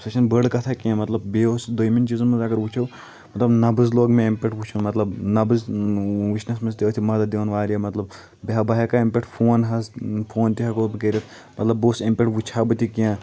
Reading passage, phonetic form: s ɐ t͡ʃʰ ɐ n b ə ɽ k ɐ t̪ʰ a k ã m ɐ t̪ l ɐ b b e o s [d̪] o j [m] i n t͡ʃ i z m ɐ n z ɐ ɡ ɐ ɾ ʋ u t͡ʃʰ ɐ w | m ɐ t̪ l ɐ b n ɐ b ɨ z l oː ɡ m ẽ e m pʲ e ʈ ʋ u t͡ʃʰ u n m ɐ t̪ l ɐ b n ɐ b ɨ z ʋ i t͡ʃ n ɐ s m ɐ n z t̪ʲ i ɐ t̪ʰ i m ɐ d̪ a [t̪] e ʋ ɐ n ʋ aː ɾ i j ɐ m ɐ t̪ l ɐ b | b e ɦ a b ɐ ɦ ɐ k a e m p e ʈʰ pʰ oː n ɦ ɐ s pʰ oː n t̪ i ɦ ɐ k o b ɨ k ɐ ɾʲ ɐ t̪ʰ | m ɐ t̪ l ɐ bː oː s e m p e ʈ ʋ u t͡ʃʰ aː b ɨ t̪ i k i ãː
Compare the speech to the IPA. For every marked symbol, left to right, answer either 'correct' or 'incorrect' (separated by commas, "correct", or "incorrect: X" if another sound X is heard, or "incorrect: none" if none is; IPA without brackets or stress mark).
correct, correct, incorrect: d̪